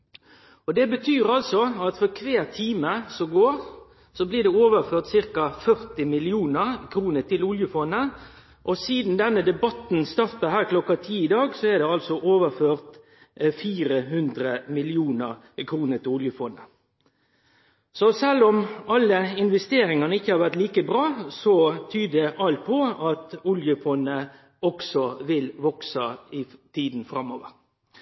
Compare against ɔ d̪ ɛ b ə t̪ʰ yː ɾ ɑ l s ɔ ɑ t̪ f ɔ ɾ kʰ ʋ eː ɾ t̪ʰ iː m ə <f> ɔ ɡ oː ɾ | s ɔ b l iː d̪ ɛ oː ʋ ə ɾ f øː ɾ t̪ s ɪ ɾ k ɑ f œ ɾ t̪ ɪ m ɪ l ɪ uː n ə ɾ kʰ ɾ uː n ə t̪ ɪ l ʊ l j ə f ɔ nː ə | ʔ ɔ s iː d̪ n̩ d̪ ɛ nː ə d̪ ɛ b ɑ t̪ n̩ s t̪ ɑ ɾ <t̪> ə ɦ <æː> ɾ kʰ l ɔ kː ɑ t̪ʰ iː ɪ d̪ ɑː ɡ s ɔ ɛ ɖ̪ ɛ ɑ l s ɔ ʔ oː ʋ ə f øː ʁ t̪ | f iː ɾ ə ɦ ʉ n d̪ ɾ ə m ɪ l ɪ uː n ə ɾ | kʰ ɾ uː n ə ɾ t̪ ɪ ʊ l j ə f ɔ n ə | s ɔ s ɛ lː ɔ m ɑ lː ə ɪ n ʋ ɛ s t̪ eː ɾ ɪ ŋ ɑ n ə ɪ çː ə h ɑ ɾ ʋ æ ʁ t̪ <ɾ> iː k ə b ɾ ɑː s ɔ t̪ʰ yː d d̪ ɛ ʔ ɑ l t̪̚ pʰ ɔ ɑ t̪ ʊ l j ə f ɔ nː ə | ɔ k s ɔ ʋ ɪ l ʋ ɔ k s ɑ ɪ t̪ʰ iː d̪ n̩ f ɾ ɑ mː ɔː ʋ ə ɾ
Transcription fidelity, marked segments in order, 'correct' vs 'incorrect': incorrect: s, correct, correct, incorrect: l

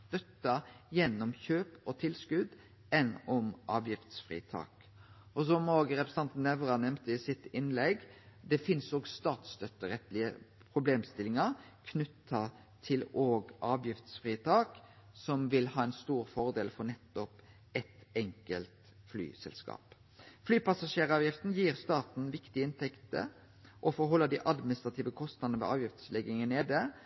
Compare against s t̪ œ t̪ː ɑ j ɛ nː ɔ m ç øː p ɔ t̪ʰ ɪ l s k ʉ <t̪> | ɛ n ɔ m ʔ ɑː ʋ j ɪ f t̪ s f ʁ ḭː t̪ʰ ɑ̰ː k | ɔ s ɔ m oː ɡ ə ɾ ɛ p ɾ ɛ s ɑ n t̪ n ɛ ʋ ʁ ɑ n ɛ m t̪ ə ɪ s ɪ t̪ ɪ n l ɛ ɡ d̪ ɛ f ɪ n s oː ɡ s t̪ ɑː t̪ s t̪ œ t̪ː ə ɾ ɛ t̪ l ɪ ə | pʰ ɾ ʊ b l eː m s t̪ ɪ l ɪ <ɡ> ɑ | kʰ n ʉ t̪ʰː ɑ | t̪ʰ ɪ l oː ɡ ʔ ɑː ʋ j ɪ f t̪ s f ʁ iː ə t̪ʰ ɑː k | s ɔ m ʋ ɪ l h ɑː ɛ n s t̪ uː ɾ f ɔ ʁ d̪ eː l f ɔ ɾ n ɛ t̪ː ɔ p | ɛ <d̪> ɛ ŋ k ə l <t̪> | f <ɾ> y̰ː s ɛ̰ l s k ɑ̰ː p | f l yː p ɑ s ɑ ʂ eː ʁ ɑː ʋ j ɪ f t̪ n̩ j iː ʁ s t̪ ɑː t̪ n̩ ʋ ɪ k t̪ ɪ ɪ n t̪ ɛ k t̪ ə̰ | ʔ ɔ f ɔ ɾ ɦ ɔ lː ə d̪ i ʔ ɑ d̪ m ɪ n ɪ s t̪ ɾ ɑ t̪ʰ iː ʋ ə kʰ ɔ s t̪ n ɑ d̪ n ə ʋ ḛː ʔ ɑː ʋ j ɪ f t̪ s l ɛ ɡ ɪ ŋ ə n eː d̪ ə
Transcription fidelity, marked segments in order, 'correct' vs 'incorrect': incorrect: d̪, incorrect: ŋ, incorrect: t̪, correct, incorrect: l

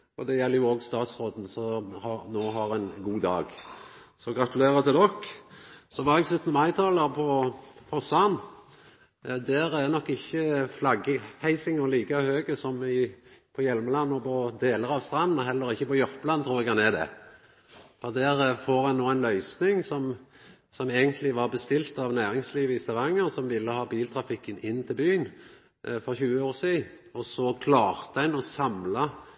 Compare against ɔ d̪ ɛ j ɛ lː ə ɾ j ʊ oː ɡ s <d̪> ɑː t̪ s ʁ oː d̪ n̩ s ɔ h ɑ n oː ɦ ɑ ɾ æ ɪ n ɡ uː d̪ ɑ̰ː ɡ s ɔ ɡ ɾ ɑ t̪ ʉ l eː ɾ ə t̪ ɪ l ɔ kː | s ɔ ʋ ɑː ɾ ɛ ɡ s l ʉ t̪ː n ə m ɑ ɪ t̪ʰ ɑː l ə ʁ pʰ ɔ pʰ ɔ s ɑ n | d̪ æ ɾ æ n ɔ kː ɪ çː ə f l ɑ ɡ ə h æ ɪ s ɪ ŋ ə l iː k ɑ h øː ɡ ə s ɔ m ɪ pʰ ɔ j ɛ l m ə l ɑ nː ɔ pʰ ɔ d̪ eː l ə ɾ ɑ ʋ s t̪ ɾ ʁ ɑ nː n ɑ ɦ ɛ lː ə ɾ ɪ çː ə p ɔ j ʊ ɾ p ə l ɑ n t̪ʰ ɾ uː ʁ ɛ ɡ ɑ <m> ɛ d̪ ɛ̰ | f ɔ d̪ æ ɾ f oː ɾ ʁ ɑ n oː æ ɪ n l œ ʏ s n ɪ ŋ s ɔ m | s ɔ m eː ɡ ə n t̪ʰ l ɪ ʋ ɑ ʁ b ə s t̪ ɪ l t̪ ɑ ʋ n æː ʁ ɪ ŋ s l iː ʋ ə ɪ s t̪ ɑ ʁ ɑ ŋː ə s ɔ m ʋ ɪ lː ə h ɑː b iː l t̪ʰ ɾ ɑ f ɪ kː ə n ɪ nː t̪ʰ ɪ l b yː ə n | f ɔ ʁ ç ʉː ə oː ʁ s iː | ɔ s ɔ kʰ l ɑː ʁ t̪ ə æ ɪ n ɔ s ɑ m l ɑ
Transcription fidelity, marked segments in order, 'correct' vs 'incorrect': incorrect: t̪, incorrect: n

